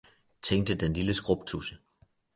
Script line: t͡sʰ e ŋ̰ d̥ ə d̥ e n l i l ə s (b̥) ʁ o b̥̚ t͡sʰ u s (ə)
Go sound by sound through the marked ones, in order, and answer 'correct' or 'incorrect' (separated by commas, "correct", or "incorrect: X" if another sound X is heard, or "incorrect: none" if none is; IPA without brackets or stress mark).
incorrect: ɡ̥, correct